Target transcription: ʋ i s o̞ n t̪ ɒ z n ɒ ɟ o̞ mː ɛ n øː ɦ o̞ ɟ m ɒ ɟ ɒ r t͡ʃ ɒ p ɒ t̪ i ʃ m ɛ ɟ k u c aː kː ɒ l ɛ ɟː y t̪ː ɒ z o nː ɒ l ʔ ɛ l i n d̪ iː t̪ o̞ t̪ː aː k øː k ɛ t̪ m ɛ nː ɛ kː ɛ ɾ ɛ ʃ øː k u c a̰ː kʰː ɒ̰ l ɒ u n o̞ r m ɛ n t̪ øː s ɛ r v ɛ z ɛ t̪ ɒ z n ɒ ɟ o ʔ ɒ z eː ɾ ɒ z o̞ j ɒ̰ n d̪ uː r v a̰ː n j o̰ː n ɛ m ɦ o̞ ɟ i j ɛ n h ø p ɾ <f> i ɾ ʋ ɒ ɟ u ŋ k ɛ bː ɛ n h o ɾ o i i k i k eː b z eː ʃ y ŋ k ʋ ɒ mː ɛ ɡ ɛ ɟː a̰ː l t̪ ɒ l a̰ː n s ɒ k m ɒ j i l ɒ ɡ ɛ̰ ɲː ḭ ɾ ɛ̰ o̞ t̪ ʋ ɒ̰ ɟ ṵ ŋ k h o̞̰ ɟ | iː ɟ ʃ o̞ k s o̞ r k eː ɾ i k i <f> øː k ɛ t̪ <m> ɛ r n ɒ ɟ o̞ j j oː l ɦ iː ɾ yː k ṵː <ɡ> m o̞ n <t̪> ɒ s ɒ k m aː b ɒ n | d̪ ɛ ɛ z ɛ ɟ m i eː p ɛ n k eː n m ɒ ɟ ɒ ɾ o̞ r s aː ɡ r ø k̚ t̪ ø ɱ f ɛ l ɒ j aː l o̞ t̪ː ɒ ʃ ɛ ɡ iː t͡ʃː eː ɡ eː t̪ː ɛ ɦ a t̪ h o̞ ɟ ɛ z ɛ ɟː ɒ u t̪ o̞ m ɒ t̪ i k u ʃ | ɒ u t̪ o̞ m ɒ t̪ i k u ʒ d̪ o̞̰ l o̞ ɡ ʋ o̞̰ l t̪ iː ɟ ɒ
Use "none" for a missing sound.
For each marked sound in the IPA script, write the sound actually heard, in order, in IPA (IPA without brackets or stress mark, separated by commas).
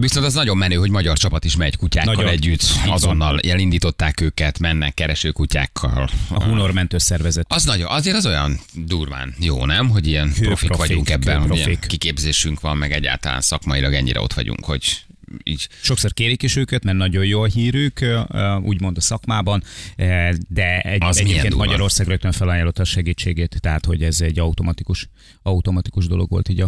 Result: f, ʃ, m, ɟ, d̪